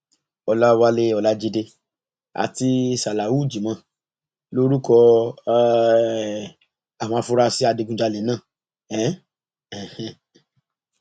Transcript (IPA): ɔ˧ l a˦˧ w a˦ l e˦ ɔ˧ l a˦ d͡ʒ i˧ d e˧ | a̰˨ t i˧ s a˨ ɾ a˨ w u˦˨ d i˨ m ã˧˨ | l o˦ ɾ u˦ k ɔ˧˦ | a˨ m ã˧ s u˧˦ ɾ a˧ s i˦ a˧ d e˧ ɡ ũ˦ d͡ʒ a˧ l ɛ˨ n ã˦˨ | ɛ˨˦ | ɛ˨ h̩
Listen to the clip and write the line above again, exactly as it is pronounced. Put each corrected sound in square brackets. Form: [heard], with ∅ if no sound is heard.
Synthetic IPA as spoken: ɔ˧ l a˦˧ w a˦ l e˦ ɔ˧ l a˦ d͡ʒ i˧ d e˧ | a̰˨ t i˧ s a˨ [l] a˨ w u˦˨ [d͡ʒ] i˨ m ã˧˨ | l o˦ ɾ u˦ k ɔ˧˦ | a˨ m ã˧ [f] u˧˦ ɾ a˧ s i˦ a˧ d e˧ ɡ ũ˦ d͡ʒ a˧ l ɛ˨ n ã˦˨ | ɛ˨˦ | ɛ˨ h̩

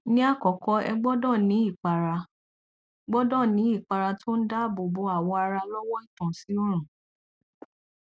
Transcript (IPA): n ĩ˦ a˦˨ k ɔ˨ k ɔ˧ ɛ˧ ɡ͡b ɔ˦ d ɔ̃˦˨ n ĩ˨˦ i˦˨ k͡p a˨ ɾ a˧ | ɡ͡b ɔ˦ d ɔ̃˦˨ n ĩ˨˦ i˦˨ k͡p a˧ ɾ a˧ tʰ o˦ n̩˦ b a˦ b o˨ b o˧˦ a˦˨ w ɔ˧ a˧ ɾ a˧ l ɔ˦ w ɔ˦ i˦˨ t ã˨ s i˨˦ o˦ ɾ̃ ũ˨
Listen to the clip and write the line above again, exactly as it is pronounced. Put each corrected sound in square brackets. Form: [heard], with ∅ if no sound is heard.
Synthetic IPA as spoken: n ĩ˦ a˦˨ k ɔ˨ k ɔ˧ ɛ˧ ɡ͡b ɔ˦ d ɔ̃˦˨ n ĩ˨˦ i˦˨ k͡p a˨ ɾ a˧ | ɡ͡b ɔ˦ d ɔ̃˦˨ n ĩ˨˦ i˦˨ k͡p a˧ ɾ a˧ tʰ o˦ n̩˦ [d] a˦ b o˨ b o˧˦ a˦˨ w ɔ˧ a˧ ɾ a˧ l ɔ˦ w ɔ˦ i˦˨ t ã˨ s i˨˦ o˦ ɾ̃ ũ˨

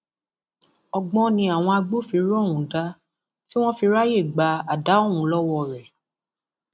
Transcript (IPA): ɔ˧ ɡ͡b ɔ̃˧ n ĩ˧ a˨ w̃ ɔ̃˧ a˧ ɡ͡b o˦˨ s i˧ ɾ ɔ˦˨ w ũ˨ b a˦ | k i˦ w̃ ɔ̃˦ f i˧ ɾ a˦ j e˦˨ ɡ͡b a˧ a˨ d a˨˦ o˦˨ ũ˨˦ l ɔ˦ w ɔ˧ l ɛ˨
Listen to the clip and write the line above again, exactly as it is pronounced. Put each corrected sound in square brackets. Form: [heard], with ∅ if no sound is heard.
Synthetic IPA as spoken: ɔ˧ ɡ͡b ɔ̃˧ n ĩ˧ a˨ w̃ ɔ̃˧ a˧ ɡ͡b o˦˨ [f] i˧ ɾ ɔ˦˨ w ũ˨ [d] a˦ | [t] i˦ w̃ ɔ̃˦ f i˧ ɾ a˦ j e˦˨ ɡ͡b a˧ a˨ d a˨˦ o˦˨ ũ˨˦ l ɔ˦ w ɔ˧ [ɾ] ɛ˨

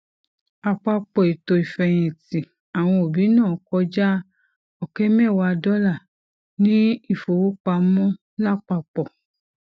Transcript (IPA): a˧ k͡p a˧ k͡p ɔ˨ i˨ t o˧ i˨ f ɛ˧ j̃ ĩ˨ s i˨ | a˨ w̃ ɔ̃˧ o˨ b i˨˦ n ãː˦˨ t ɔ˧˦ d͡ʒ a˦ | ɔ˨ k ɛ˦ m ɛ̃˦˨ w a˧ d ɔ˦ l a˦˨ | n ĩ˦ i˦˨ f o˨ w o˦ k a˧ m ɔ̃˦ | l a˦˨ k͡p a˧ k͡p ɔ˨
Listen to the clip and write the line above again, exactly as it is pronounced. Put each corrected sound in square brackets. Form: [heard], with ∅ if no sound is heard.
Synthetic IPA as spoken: a˧ k͡p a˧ k͡p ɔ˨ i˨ t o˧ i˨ f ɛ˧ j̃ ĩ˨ [t] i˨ | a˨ w̃ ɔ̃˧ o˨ b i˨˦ n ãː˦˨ [k] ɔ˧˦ d͡ʒ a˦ | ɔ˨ k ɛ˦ m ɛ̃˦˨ w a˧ d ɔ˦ l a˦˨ | n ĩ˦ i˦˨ f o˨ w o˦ [k͡p] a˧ m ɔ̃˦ | l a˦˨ k͡p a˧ k͡p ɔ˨

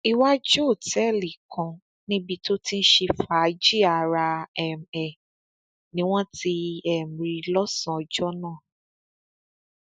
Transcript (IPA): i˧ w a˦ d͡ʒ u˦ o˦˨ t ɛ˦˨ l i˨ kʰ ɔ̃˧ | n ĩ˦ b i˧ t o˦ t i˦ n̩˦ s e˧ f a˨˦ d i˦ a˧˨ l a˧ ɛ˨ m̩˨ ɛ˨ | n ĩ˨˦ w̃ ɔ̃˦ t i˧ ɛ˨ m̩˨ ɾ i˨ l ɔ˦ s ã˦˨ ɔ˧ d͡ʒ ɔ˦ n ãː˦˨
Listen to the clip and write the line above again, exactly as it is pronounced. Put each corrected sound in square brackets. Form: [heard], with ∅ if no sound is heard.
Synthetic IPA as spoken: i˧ w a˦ d͡ʒ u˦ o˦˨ t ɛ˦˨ l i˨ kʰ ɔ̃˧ | n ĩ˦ b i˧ t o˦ t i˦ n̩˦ [ʃ] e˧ f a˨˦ [d͡ʒ] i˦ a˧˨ [ɾ] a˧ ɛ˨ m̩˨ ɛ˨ | n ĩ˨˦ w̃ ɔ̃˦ t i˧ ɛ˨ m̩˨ ɾ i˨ l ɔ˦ s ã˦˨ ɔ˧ d͡ʒ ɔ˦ n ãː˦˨

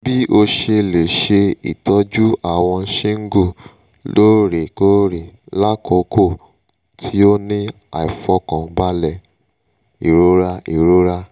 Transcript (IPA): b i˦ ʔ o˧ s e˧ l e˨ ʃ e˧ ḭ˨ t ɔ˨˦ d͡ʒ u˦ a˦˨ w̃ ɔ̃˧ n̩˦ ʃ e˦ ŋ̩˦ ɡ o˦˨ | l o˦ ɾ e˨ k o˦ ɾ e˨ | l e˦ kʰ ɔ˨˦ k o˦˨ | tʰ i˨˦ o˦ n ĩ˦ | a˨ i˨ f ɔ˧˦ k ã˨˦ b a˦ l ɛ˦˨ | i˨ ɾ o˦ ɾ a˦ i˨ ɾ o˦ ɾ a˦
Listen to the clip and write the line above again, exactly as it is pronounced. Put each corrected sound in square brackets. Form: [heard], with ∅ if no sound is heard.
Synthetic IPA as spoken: b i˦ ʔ o˧ [ʃ] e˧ l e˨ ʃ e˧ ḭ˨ t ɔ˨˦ d͡ʒ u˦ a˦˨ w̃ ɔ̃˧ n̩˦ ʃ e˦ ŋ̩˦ ɡ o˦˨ | l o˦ ɾ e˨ k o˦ ɾ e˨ | l [a˦] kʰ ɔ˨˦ k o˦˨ | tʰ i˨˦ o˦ n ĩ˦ | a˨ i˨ f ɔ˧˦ k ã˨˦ b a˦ l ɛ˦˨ | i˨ ɾ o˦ ɾ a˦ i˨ ɾ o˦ ɾ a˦

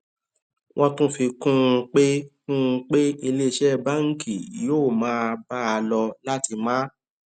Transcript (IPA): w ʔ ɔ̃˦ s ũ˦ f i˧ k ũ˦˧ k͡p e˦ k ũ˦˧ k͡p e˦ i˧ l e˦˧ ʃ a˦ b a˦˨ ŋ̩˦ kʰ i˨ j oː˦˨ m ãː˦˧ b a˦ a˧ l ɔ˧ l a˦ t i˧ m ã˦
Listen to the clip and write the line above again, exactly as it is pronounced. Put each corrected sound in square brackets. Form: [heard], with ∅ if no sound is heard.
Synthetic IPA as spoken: w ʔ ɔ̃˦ [t] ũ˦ f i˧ k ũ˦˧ k͡p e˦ k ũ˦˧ k͡p e˦ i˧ l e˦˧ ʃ [ɛ˦] b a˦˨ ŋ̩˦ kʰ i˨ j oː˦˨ m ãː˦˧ b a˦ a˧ l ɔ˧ l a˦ t i˧ m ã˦

